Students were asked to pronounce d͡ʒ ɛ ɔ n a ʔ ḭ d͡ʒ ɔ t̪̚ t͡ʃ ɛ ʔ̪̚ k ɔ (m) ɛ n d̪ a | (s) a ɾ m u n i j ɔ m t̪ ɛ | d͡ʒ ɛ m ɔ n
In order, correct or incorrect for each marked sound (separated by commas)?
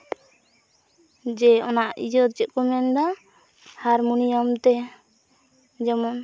correct, incorrect